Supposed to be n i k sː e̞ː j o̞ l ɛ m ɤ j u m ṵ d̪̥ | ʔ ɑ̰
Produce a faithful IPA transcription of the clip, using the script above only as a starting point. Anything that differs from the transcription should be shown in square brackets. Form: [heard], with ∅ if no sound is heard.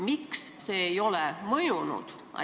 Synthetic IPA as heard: [m] i k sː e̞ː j o̞ l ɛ m ɤ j u [n] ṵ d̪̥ | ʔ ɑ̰